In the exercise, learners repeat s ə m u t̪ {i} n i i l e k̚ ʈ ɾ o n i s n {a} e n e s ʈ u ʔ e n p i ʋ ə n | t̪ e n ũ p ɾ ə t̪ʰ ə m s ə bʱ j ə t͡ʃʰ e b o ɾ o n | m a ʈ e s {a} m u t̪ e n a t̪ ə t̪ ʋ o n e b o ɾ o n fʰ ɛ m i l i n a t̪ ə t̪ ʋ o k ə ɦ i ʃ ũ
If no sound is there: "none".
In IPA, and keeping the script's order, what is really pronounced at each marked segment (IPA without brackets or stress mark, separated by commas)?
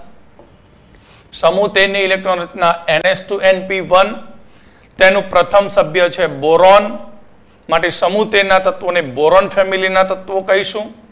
e, a, ə